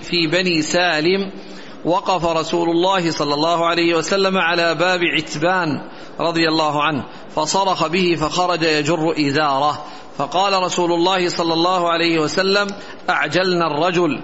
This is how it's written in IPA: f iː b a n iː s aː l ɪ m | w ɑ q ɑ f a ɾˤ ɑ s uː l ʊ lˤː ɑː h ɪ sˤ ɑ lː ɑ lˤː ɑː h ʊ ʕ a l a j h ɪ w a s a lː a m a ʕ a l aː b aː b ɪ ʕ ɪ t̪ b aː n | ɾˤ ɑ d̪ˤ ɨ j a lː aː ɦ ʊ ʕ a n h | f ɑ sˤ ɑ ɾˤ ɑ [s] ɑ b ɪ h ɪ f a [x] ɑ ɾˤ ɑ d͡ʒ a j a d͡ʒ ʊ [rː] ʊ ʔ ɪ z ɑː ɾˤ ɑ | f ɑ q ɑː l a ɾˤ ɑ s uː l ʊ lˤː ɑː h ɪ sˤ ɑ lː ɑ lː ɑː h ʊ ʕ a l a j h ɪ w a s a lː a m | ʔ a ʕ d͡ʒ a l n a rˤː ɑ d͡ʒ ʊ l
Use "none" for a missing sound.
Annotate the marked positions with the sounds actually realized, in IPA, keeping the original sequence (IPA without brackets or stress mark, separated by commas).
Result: x, x, rː